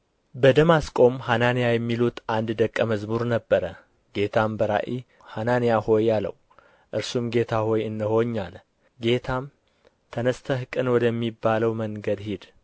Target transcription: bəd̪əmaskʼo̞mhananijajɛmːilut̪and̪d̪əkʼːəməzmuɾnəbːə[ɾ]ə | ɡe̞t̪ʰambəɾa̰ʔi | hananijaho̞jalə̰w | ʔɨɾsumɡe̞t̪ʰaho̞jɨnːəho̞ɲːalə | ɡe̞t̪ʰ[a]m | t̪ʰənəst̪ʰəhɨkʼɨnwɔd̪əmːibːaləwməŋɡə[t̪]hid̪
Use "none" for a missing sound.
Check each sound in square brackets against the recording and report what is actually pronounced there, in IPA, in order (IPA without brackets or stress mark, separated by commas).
ɾ, a, d̪